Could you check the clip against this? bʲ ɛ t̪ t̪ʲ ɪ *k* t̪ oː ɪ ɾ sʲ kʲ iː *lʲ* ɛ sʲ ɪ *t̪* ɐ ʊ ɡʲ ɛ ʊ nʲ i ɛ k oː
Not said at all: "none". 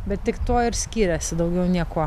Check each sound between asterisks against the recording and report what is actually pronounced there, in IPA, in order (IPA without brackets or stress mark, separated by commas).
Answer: k, ɾʲ, d̪